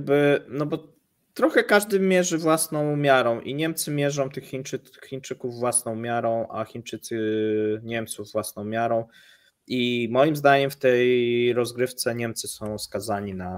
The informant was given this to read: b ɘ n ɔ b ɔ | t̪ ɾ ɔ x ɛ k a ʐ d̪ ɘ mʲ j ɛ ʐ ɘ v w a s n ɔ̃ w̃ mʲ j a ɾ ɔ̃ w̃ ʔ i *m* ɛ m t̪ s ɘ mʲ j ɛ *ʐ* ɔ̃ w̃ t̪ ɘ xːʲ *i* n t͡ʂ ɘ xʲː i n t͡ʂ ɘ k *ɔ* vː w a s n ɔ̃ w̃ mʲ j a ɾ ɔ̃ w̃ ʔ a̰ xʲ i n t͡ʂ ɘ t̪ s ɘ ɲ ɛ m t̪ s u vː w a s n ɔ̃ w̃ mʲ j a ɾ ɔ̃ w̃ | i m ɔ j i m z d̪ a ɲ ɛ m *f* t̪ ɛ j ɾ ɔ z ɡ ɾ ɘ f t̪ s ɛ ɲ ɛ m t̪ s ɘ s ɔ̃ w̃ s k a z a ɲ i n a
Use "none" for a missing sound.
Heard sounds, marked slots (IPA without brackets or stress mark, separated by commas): ɲ, ʐ, i, u, f